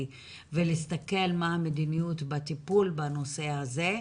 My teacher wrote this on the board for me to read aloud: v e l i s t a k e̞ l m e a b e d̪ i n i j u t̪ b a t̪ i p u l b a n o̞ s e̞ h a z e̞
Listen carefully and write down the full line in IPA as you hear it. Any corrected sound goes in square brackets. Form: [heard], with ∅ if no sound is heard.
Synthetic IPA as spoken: v e l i s t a k e̞ l m [a] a [m] e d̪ i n i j u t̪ b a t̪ i p u l b a n o̞ s e̞ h a z e̞